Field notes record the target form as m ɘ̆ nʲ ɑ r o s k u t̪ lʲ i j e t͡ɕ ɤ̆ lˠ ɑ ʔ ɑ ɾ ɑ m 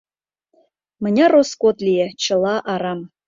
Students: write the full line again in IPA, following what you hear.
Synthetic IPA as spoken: m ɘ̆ nʲ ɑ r o s k o t̪ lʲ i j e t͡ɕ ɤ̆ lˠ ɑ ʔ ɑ ɾ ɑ m